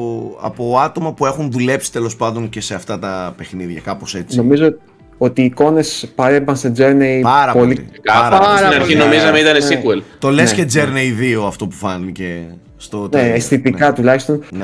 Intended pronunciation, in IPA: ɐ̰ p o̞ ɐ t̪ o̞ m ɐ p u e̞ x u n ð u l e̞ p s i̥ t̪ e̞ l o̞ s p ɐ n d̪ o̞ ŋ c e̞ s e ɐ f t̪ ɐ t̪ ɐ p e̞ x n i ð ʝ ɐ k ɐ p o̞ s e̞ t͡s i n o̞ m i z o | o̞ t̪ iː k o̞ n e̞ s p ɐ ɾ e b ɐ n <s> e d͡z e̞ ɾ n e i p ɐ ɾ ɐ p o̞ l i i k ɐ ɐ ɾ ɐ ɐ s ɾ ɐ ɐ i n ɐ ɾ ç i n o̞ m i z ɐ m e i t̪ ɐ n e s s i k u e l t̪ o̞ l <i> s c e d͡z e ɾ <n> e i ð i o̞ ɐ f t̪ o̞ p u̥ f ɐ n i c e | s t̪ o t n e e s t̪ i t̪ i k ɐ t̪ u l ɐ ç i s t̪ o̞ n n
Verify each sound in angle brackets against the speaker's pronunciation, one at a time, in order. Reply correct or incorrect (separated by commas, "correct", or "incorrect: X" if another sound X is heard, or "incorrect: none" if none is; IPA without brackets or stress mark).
correct, incorrect: e, correct